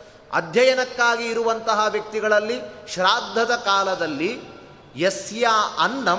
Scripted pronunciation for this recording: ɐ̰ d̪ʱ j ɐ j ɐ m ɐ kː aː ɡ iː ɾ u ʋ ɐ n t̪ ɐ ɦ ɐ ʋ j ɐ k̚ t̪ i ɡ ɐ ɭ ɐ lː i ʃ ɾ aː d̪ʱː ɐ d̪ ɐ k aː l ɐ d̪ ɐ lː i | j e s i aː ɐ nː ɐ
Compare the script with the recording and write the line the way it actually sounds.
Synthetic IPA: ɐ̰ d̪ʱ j ɐ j ɐ n ɐ kː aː ɡ iː ɾ u ʋ ɐ n t̪ ɐ ɦ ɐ ʋ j ɐ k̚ t̪ i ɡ ɐ ɭ ɐ lː i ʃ ɾ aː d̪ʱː ɐ d̪ ɐ k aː l ɐ d̪ ɐ lː i | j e s j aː ɐ nː ɐ